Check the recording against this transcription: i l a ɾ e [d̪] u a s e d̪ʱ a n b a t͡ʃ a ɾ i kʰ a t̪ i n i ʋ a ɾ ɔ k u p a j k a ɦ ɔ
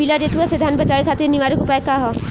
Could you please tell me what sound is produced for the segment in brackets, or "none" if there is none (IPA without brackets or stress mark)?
t̪